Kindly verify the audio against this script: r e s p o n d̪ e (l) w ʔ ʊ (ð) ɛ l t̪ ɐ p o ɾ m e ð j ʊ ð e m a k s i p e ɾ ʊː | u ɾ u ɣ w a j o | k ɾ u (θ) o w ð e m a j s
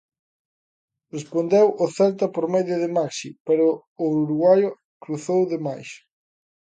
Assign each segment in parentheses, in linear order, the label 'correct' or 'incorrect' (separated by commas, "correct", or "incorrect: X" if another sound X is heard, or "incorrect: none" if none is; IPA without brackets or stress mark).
incorrect: none, incorrect: θ, correct